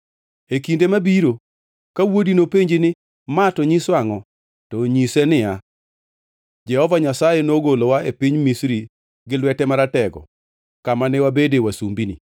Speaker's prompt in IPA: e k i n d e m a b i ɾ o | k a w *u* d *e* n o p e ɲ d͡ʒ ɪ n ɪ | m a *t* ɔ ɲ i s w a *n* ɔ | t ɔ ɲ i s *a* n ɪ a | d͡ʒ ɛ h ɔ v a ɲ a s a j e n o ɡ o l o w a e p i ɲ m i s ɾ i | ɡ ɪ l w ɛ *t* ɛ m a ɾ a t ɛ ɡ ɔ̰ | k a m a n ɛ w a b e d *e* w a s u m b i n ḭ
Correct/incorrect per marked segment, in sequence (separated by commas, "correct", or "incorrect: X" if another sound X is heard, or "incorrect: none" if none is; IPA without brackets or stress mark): incorrect: o, incorrect: i, correct, incorrect: ŋ, incorrect: ɛ, correct, correct